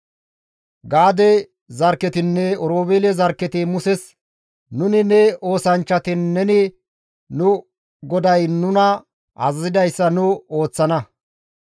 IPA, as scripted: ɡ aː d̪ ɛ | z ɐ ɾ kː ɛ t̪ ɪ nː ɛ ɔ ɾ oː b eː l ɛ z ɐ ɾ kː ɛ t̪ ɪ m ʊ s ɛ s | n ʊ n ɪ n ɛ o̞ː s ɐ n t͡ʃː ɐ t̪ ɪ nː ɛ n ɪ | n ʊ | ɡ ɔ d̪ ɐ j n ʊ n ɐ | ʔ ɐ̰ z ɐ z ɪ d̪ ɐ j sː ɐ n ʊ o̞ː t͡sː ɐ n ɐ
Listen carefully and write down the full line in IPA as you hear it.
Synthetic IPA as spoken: ɡ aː d̪ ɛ | z ɐ ɾ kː ɛ t̪ ɪ nː ɛ ɔ ɾ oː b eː l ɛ z ɐ ɾ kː ɛ t̪ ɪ m ʊ s ɛ s | n ʊ n ɪ n ɛ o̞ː s ɐ n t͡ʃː ɐ t̪ ɪ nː ɛ n ɪ | n ʊ | ɡ ɔ d̪ ɐ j n ʊ n ɐ | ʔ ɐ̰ z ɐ z ɪ d̪ ɐ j sː ɐ n ʊ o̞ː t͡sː ɐ n ɐ